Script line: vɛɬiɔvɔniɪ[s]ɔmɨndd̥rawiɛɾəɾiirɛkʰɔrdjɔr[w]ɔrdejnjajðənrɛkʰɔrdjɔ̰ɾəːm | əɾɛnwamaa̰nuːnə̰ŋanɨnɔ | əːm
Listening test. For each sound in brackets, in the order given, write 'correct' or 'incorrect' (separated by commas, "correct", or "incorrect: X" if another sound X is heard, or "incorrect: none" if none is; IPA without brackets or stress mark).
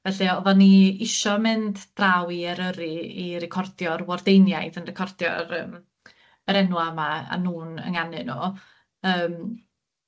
incorrect: ʃ, correct